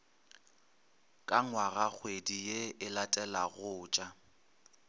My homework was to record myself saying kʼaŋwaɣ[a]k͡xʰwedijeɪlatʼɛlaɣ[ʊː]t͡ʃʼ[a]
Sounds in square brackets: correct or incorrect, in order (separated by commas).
correct, correct, correct